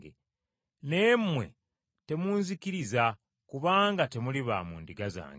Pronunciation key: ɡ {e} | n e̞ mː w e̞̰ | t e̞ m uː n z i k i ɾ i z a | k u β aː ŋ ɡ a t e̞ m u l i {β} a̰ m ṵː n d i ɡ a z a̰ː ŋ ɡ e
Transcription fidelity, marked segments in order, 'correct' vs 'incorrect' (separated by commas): correct, correct